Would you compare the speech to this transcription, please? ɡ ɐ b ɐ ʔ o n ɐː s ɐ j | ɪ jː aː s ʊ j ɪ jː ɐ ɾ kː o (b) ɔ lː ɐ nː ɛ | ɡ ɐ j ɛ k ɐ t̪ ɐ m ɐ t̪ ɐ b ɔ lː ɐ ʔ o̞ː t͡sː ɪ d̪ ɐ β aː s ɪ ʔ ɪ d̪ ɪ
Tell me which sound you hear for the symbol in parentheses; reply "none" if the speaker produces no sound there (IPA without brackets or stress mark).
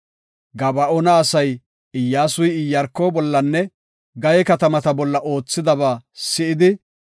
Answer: b